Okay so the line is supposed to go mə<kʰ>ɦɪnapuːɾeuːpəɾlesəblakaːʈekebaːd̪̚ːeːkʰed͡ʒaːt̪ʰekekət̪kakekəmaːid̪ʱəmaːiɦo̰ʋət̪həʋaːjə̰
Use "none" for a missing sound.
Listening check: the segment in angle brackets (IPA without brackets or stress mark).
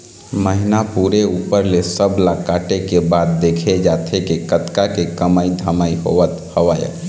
none